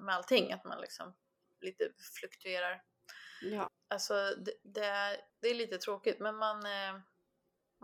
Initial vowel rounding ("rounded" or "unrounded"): unrounded